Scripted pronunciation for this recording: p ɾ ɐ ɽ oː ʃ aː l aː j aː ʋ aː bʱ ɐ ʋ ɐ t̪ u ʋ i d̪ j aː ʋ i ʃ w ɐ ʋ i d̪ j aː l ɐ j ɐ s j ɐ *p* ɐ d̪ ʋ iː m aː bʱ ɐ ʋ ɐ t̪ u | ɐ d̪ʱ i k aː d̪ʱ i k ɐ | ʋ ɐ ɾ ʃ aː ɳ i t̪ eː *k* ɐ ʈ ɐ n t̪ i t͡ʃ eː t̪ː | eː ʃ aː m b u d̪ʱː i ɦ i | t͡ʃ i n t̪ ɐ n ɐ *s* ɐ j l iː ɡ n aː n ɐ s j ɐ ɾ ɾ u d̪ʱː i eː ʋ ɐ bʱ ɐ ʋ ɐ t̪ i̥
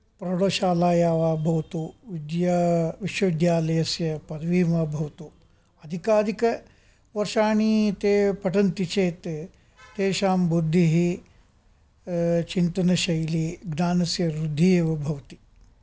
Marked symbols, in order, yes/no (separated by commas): yes, no, no